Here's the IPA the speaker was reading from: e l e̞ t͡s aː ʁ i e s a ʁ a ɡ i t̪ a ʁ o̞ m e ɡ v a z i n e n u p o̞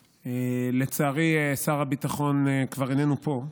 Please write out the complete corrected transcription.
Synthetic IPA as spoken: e l e̞ t͡s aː ʁ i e s a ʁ a b i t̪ a χ o̞ n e k v a ʁ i n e n u p o̞

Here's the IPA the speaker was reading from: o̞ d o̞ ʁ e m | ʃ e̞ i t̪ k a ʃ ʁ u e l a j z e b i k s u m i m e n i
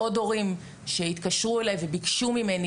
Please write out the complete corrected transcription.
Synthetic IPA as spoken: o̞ d o̞ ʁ i m | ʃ e̞ i t̪ k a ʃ ʁ u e l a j v e b i k ʃ u m i m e n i

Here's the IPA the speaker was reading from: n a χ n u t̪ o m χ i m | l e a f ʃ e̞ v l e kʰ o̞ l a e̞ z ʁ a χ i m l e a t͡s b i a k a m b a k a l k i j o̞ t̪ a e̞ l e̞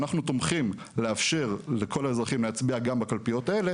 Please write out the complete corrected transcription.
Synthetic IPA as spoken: n a χ n u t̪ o m χ i m | l e a f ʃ e̞ ʁ l e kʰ o̞ l a e̞ z ʁ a χ i m l e a t͡s b i a ɡ a m b a k a l p i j o̞ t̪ a e̞ l e̞

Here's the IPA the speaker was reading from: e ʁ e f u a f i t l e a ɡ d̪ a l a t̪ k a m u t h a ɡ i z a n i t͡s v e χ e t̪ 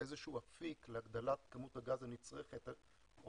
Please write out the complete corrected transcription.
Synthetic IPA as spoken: e z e ʃ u a f i k l e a ɡ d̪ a l a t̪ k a m u t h a ɡ a z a n i t͡s ʁ e χ e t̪

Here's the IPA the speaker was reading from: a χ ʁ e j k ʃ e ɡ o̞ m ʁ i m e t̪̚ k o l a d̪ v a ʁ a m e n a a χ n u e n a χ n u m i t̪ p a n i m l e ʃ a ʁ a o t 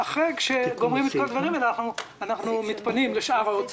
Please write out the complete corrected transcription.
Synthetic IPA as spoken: a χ ʁ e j k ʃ e ɡ o̞ m ʁ i m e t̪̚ k o l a d̪ v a ʁ i m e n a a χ n u a n a χ n u m i t̪ p a n i m l e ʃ a ʁ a o t͡s

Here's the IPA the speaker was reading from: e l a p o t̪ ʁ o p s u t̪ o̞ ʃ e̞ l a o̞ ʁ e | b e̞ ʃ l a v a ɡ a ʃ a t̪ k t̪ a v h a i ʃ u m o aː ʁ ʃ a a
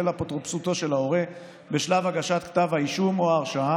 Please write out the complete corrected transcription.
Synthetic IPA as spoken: e l a p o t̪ ʁ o p s u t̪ o̞ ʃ e̞ l a o̞ ʁ e | b e̞ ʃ l a v a ɡ a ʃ a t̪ k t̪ a v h a i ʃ u m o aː ʁ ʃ a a

